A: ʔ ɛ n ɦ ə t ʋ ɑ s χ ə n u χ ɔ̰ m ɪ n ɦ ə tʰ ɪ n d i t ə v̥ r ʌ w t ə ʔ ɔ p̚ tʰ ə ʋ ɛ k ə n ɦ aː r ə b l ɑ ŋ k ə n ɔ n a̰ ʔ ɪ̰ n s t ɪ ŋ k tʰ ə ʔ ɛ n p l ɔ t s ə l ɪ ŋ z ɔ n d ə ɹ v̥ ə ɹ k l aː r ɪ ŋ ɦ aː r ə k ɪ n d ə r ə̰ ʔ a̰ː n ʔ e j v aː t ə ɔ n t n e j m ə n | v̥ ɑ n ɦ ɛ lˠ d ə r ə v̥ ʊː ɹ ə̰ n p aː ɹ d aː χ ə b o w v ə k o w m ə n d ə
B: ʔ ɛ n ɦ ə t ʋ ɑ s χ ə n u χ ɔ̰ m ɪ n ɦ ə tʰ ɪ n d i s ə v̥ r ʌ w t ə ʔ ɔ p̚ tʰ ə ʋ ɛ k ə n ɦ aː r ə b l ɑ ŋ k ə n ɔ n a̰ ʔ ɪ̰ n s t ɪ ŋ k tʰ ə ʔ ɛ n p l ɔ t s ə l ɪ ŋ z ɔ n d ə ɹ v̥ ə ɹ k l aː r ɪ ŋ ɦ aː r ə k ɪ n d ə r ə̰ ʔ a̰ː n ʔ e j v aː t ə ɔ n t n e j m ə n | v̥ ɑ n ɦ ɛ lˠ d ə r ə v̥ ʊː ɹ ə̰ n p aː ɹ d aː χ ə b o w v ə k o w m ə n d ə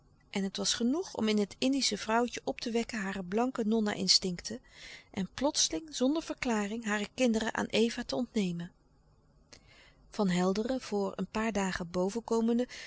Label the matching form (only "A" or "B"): B